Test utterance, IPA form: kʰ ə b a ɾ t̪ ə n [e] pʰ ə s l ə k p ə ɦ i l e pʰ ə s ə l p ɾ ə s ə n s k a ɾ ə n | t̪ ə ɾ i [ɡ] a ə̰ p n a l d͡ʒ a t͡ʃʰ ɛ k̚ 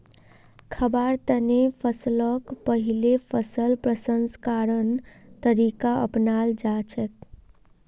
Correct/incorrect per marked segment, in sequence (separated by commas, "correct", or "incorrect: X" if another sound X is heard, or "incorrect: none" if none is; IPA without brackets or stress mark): correct, incorrect: k